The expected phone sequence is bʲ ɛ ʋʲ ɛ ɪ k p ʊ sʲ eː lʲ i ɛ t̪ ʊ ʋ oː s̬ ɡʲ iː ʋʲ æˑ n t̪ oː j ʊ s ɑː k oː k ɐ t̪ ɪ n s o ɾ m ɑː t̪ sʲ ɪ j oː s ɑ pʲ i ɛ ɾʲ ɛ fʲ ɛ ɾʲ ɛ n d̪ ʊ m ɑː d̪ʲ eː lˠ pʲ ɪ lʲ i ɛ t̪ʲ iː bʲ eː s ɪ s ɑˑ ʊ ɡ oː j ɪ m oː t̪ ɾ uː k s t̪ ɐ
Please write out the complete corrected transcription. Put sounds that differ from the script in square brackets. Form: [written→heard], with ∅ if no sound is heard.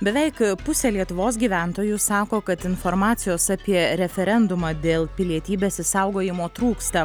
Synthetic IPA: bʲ ɛ ʋʲ ɛ ɪ k p ʊ sʲ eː lʲ i ɛ t̪ ʊ ʋ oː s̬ ɡʲ iː ʋʲ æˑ n t̪ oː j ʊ s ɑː k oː k ɐ t̪ ɪ n [s→f] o ɾ m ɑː t̪ sʲ ɪ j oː s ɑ pʲ i ɛ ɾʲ ɛ fʲ ɛ ɾʲ ɛ n d̪ ʊ m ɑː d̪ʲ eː lˠ pʲ ɪ lʲ i ɛ t̪ʲ iː bʲ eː s ɪ s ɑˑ ʊ ɡ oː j ɪ m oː t̪ ɾ uː k s t̪ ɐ